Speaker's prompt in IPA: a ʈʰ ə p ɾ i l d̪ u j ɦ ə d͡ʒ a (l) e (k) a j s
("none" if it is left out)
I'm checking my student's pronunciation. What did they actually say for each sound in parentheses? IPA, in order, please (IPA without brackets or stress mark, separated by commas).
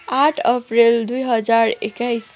ɾ, k